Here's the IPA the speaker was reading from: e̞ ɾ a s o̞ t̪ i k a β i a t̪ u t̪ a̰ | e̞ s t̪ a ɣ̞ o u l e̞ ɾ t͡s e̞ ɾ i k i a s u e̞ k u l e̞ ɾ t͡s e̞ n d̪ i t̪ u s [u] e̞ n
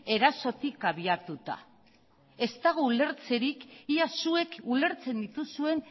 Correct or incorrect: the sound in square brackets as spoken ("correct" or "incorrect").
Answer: correct